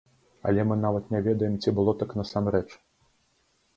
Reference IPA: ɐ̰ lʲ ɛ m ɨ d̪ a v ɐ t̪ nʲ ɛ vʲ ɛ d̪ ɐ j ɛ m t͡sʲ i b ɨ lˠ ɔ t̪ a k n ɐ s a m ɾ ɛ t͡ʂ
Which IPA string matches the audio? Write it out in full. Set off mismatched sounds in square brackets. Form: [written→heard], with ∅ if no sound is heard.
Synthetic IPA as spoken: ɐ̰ lʲ ɛ m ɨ [d̪→n̪] a v ɐ t̪ nʲ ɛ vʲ ɛ d̪ ɐ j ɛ m t͡sʲ i b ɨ lˠ ɔ t̪ a k n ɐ s a m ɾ ɛ t͡ʂ